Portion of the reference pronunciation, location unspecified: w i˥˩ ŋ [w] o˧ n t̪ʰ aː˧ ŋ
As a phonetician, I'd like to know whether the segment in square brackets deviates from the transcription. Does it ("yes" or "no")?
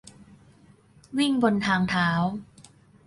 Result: yes